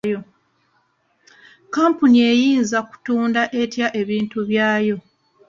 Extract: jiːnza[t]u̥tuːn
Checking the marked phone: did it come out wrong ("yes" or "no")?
yes